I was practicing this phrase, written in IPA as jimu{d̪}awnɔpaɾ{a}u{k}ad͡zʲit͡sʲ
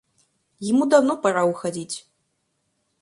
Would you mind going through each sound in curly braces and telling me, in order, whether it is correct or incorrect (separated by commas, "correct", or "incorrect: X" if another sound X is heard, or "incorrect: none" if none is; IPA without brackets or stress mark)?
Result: correct, correct, incorrect: x